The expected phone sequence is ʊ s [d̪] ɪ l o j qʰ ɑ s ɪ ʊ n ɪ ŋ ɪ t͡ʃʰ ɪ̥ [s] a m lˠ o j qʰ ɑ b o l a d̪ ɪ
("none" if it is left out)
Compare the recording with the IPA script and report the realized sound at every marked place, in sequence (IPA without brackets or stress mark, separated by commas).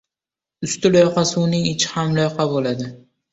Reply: t̪, h